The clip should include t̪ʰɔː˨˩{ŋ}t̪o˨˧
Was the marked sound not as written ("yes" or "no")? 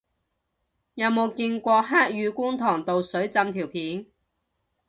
no